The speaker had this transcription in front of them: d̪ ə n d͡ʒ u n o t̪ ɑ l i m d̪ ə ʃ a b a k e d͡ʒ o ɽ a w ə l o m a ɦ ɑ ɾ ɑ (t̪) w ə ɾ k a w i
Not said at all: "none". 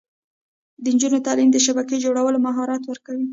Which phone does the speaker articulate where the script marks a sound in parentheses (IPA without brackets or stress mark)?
t̪